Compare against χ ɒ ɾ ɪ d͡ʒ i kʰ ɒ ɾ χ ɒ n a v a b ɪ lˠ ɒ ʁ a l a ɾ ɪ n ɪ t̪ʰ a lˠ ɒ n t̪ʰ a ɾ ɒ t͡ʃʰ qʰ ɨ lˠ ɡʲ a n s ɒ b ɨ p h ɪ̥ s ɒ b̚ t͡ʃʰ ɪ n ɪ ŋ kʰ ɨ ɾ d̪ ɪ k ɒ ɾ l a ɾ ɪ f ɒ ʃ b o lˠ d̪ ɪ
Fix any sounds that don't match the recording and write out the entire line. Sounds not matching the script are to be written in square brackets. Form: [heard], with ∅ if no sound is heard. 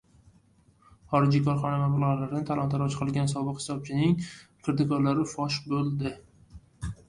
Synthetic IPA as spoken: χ ɒ ɾ ɪ d͡ʒ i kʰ ɒ ɾ χ ɒ n a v a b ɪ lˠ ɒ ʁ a l a ɾ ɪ n ɪ t̪ʰ a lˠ ɒ n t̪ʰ a ɾ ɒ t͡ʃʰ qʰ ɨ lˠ ɡʲ a n s ɒ b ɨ [q] h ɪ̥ s ɒ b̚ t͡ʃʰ ɪ n ɪ ŋ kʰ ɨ ɾ d̪ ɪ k ɒ ɾ l a ɾ ɪ f ɒ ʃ b o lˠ d̪ ɪ